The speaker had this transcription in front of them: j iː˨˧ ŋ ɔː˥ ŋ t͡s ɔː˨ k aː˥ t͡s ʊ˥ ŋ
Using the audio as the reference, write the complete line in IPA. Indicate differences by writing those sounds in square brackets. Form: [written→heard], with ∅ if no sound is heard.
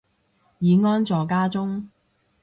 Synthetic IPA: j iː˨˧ ŋ ɔː˥ [ŋ→n] t͡s ɔː˨ k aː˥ t͡s ʊ˥ ŋ